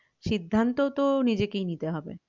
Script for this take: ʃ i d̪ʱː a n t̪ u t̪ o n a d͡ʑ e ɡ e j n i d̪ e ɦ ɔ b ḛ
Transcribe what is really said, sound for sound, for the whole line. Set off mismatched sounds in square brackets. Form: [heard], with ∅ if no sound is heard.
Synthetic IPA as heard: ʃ i d̪ʱː a n t̪ [o] t̪ o n [i] d͡ʑ e [k] e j n i [t̪] e ɦ ɔ b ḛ